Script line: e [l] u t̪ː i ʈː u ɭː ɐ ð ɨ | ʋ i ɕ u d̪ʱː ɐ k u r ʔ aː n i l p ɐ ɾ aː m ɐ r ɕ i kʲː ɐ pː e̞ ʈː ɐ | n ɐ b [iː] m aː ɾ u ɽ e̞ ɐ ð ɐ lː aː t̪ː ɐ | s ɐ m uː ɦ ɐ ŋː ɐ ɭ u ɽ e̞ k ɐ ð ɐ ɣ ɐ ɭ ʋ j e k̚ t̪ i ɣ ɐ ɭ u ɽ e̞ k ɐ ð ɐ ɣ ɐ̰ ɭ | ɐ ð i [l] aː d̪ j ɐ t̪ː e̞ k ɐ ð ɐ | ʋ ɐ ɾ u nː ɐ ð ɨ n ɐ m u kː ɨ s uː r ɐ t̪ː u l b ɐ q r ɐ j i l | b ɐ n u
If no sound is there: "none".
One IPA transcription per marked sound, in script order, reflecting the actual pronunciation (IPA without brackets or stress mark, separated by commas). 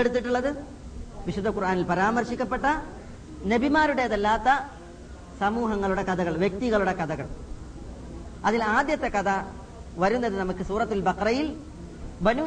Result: ɽ, i, l